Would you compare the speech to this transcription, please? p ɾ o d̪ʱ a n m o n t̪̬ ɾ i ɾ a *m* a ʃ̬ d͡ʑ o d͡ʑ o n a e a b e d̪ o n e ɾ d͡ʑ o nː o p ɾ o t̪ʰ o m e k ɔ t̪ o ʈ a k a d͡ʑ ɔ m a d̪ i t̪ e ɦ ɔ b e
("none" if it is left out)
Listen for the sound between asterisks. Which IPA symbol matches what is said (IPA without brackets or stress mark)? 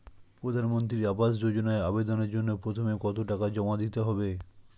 b